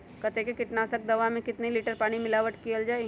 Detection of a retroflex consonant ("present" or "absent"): present